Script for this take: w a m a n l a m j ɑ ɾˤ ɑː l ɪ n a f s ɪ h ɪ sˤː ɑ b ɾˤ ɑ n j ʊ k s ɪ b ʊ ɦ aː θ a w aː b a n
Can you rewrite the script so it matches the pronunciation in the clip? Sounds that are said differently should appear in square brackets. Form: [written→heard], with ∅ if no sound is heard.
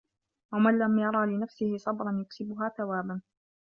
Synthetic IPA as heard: w a m a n l a m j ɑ ɾˤ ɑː l ɪ n a f s ɪ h ɪ [sˤː→sˤ] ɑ b ɾˤ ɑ n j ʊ k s ɪ b ʊ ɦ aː θ a w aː b a n